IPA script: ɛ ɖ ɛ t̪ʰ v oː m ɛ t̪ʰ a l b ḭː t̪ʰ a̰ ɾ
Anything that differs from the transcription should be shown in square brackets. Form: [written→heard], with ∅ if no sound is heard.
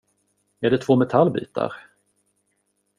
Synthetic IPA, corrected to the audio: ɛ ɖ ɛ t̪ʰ v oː m ɛ t̪ʰ a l b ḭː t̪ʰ a̰ ɾ